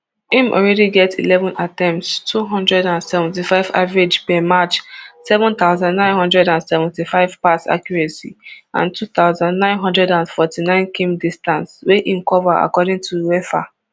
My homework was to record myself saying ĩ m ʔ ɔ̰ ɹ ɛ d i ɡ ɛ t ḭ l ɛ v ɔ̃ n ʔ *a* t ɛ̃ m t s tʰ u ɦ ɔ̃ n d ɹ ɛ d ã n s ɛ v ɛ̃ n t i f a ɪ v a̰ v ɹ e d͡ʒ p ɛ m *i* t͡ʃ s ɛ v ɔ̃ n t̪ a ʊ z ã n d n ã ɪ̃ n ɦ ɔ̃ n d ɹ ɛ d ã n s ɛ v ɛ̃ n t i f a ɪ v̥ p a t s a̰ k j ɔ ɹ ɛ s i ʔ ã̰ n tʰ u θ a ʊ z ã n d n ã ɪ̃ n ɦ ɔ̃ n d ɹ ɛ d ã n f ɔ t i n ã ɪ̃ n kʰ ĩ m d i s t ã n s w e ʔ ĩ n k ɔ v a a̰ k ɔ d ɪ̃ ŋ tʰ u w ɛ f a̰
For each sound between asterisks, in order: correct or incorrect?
correct, incorrect

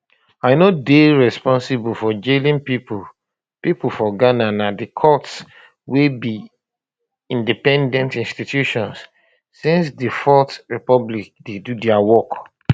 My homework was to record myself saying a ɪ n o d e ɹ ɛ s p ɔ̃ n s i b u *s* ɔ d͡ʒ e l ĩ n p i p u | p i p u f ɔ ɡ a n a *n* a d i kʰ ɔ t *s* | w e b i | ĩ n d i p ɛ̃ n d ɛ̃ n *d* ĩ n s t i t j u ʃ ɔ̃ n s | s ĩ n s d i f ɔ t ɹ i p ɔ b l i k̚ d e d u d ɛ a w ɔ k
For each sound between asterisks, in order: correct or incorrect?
incorrect, correct, correct, incorrect

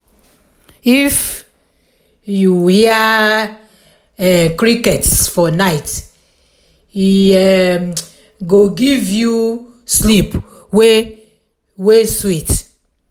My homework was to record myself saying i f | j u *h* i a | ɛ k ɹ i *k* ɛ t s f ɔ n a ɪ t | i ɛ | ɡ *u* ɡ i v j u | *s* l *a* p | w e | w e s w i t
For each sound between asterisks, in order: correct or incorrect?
correct, correct, incorrect, correct, incorrect

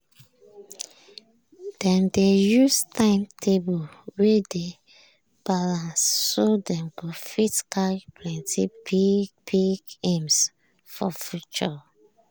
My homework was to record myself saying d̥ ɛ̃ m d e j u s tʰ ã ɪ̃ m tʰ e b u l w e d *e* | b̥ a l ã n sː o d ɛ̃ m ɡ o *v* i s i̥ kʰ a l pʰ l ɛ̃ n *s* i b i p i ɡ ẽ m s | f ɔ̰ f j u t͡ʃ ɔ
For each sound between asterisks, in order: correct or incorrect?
correct, incorrect, incorrect

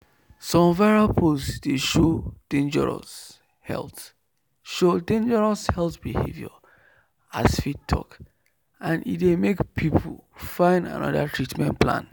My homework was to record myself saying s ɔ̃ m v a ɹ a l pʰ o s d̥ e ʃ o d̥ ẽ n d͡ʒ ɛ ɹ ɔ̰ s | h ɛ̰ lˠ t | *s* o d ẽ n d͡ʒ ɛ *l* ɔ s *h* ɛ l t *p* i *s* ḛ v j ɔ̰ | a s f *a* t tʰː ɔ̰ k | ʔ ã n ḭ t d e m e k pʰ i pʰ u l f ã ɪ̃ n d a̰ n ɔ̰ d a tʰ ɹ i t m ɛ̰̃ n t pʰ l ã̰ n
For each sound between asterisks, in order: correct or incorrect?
incorrect, incorrect, correct, incorrect, incorrect, incorrect

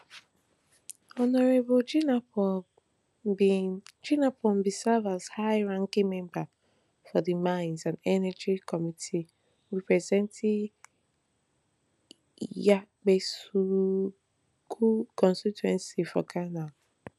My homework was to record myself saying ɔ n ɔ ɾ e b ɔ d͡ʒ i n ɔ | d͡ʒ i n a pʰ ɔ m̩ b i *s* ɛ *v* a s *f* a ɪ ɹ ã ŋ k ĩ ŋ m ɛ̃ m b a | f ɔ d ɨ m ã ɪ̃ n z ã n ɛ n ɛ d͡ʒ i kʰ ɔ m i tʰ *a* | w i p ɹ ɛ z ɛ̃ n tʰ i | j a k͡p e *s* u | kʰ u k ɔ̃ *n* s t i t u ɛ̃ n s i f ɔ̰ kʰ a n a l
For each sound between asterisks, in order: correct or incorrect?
correct, correct, incorrect, incorrect, correct, correct

